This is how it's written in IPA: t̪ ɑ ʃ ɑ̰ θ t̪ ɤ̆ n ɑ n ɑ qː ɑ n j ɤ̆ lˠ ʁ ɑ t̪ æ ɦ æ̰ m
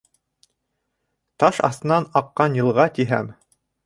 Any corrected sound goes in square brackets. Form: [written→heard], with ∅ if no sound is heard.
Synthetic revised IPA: t̪ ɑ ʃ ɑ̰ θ t̪ ɤ̆ n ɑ n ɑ qː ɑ n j ɤ̆ lˠ ʁ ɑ t̪ [æ→i] ɦ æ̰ m